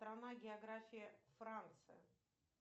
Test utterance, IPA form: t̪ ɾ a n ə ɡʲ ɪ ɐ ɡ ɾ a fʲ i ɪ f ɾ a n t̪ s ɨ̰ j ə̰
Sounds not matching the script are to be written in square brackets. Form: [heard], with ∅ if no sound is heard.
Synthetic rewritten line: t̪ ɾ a n [a] ɡʲ ɪ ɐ ɡ ɾ a fʲ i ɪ f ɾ a n t̪ s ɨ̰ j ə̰